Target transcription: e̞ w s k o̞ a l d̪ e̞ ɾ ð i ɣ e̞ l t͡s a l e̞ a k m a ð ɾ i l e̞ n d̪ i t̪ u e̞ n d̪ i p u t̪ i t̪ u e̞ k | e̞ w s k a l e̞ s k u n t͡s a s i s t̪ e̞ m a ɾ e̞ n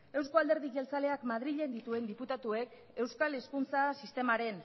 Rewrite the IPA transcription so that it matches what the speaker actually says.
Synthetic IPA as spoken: e̞ w s k o̞ a l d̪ e̞ ɾ ð i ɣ e̞ l t͡s a l e̞ a k m a ð ɾ i ʎ e̞ n d̪ i t̪ u e̞ n d̪ i p u t̪ a t̪ u e̞ k | e̞ w s k a l e̞ s k u n t͡s a s i s t̪ e̞ m a ɾ e̞ n